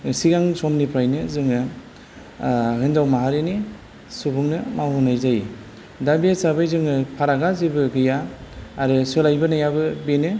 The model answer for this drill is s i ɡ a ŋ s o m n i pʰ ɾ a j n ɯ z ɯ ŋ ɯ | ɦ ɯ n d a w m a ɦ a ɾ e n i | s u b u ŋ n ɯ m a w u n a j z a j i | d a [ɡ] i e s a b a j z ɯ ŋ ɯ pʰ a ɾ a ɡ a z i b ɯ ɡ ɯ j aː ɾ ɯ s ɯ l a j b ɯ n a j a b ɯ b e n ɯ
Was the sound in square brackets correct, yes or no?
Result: no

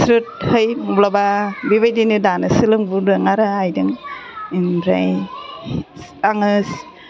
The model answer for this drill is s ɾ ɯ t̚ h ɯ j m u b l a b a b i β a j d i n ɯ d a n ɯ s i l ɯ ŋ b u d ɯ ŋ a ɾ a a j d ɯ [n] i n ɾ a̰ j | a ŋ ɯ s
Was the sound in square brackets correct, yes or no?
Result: no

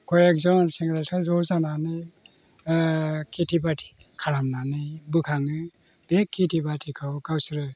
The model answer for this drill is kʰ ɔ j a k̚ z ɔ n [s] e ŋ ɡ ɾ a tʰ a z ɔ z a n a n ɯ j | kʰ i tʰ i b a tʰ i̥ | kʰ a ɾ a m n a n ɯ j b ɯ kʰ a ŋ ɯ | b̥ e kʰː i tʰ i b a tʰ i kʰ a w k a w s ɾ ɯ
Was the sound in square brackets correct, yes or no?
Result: yes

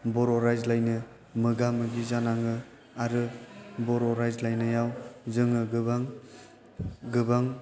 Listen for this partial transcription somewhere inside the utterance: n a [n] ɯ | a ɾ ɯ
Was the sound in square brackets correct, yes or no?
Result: no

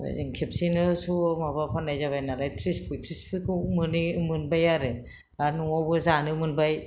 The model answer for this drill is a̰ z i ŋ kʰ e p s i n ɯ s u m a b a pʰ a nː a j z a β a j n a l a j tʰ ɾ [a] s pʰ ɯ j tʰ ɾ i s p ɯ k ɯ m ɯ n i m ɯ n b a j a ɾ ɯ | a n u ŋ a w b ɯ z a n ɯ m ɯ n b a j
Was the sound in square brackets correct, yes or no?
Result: no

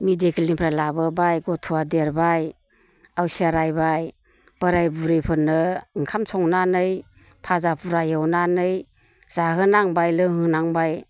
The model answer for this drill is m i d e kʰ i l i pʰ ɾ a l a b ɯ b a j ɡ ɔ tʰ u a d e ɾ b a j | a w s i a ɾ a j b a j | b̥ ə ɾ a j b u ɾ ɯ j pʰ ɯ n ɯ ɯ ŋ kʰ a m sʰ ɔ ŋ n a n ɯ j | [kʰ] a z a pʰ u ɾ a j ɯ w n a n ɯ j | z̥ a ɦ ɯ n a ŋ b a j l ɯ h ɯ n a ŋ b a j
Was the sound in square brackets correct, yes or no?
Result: no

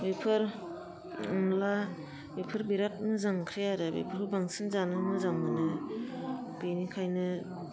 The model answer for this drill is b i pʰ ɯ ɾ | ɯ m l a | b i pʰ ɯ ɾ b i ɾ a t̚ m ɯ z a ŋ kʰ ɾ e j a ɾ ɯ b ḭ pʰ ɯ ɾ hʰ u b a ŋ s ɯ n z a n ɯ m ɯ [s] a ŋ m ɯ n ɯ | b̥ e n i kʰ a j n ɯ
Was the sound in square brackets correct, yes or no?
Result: no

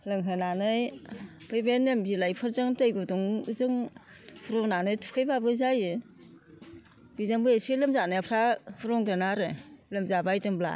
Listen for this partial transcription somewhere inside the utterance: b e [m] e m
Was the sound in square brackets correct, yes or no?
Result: no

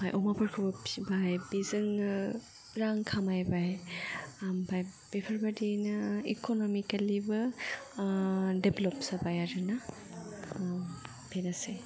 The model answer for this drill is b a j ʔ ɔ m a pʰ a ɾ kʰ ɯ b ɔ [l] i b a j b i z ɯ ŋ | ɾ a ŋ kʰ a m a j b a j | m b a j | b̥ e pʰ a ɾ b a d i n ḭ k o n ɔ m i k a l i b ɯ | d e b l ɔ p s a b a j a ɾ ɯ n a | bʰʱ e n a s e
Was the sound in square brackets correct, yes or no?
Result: no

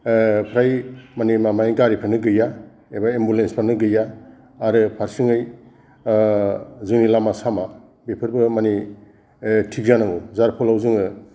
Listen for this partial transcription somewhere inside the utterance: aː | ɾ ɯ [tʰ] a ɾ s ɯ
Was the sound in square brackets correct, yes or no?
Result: no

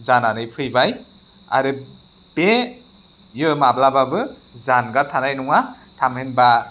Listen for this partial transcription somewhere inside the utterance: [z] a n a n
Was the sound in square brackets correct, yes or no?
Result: yes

